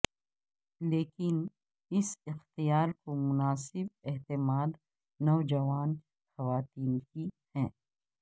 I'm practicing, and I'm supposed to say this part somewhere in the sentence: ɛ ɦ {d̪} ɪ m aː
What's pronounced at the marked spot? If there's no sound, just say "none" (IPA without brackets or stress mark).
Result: t̪